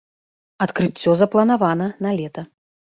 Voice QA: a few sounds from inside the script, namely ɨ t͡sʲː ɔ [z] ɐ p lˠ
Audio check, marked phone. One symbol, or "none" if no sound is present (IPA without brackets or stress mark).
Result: z